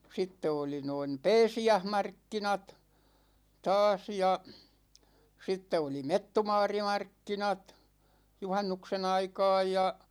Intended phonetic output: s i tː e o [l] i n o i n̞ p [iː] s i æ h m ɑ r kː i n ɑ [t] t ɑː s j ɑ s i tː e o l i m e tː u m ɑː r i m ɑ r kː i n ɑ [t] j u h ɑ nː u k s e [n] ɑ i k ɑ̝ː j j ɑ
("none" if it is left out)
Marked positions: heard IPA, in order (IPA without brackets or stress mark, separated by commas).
l, ɛː, t, t, n